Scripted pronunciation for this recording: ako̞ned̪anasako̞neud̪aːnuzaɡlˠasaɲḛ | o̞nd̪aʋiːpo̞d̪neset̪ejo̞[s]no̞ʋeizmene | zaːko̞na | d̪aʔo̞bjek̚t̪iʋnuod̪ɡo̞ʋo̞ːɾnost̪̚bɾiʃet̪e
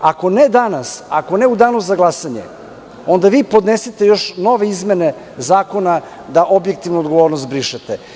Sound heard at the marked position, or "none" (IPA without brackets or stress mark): ʃ